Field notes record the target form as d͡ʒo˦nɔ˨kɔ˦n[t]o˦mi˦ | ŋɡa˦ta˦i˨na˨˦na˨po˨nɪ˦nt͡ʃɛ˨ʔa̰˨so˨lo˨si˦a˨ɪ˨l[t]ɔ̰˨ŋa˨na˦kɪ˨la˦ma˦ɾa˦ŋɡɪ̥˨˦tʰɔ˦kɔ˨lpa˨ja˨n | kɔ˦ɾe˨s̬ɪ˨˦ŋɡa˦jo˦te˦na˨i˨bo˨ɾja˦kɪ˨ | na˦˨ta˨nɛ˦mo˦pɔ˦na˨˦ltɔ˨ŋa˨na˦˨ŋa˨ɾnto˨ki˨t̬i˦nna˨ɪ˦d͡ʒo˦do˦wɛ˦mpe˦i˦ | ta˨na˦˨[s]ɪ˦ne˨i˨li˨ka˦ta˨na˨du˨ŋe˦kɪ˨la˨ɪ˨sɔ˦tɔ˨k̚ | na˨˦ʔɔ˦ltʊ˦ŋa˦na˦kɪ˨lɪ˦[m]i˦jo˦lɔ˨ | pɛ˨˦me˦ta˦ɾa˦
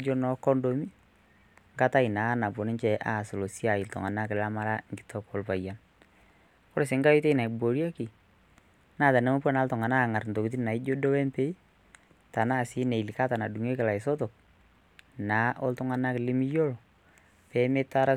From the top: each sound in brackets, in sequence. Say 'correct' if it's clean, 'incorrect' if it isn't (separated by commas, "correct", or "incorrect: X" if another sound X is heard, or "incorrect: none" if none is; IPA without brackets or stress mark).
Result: incorrect: d, correct, correct, correct